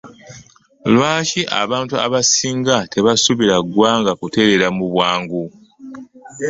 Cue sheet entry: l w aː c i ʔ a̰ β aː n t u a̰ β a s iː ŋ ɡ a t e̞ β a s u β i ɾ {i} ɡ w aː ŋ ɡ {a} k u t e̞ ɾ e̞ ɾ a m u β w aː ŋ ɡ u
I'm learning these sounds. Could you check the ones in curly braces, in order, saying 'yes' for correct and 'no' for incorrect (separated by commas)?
no, yes